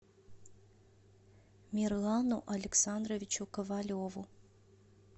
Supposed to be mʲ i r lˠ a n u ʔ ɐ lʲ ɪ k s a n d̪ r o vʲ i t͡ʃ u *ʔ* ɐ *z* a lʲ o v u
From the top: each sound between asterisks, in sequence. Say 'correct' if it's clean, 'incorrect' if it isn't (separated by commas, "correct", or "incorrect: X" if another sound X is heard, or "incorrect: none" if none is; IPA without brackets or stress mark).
incorrect: k, incorrect: v